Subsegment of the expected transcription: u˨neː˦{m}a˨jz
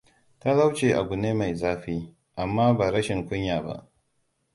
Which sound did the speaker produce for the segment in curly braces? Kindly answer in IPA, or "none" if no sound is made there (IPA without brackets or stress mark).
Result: m